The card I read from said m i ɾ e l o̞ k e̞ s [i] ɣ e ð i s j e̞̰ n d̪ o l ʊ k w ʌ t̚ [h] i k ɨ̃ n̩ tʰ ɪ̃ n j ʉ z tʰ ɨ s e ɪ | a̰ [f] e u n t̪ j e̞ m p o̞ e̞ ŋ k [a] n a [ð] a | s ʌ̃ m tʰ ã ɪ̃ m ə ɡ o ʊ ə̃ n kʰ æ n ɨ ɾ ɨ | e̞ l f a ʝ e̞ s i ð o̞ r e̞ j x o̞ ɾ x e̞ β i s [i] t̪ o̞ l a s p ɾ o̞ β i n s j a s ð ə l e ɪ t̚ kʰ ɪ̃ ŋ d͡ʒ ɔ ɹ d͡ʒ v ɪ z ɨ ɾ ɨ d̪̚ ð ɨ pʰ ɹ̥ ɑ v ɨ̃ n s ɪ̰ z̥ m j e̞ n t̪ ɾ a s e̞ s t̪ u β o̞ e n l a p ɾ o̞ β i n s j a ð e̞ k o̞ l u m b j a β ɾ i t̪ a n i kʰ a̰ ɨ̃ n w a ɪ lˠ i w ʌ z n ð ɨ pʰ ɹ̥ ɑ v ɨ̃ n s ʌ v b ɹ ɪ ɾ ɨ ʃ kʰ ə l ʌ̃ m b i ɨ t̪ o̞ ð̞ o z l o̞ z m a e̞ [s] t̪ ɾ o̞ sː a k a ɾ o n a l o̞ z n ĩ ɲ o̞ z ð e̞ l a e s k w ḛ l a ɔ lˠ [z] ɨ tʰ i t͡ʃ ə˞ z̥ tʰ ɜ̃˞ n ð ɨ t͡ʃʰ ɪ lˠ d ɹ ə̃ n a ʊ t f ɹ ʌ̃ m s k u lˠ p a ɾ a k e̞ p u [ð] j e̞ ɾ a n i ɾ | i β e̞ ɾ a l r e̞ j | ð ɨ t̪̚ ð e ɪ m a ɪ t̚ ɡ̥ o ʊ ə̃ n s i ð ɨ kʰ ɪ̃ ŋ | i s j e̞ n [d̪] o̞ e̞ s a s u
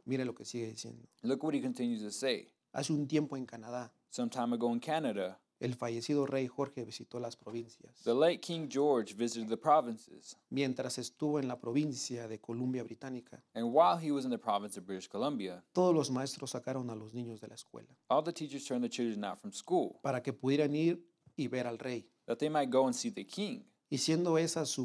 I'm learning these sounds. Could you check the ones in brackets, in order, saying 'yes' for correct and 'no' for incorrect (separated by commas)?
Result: yes, yes, no, yes, yes, yes, yes, no, yes, yes